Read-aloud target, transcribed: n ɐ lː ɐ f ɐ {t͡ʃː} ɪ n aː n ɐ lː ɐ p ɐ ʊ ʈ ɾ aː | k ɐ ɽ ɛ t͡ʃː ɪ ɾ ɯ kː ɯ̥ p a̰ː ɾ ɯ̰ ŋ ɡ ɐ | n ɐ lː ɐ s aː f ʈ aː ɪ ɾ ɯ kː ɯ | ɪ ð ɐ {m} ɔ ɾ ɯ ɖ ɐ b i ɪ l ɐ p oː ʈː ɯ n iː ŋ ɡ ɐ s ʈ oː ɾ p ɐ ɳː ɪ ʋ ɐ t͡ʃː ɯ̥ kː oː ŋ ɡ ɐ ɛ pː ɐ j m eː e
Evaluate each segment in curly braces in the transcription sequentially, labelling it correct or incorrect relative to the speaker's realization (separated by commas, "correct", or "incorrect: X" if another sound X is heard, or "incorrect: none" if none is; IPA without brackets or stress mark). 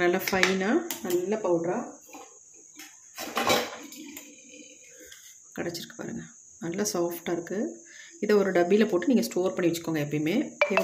incorrect: none, incorrect: none